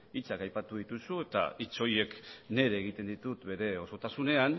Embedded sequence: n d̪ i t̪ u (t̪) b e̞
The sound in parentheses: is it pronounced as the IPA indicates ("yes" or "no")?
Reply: yes